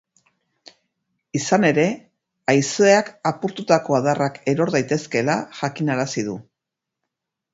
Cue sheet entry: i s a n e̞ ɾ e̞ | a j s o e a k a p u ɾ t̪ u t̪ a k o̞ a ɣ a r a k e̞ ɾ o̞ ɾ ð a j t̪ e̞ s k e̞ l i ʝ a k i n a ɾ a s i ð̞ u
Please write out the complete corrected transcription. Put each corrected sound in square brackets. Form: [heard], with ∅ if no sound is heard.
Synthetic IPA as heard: i s a n e̞ ɾ e̞ | a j s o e a k a p u ɾ t̪ u t̪ a k o̞ a [ð] a r a k e̞ ɾ o̞ ɾ ð a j t̪ e̞ s k e̞ l [a] ʝ a k i n a ɾ a s i ð̞ u